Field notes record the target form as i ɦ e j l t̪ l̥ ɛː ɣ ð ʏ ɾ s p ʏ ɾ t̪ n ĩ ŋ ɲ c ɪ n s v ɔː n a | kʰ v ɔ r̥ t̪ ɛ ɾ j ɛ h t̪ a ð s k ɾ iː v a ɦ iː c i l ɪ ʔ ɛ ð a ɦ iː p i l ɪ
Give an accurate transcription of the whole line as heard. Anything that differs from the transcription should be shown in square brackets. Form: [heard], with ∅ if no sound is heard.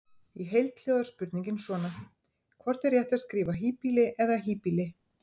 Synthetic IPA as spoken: i ɦ e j l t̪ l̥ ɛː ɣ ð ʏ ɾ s p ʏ ɾ t̪ n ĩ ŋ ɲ c ɪ n s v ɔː n a | kʰ v ɔ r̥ t̪ ɛ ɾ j ɛ h t̪ a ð s k ɾ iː v a ɦ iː [p] i l ɪ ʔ ɛ ð a ɦ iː p i l ɪ